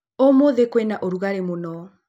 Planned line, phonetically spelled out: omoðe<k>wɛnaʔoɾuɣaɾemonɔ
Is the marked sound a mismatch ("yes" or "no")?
no